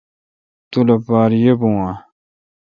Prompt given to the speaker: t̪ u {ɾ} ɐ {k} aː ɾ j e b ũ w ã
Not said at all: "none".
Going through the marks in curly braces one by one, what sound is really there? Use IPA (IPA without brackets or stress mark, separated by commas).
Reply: l, p